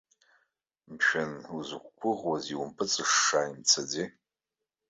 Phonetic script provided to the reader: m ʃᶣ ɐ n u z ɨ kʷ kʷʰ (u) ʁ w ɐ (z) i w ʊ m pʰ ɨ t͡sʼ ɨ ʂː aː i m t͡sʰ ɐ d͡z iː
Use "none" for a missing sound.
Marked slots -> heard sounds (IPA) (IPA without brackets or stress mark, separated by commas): ʊ, z